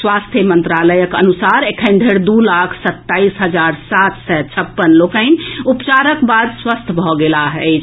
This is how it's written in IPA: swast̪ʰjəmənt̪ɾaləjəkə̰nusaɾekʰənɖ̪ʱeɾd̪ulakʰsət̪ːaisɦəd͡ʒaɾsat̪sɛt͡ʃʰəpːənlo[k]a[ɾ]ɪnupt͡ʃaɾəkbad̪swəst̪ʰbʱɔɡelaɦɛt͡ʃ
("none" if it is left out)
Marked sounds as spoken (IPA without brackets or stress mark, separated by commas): k, none